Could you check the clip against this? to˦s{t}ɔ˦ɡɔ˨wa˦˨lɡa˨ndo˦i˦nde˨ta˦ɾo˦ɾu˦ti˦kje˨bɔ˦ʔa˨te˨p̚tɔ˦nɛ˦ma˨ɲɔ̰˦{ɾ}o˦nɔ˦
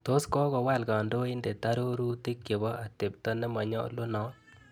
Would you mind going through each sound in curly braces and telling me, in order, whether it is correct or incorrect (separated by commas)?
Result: incorrect, incorrect